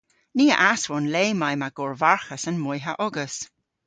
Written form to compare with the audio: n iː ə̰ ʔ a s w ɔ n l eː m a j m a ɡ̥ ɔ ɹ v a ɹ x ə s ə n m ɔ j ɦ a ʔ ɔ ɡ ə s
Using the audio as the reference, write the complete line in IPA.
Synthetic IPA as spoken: n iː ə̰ ʔ a s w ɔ n l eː m a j m a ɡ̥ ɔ ɹ v a ɹ x ə s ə n m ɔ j ɦ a ʔ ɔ ɡ ə s